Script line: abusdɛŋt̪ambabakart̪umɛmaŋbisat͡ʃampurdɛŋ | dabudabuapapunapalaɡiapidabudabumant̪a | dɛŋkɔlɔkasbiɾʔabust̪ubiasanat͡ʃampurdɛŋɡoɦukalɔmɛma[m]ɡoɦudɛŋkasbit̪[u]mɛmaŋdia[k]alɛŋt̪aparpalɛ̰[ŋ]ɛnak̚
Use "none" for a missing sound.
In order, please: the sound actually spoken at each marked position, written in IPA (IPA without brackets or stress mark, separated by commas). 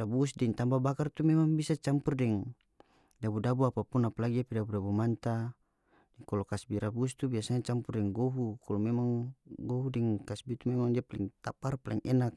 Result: ŋ, u, p, ŋ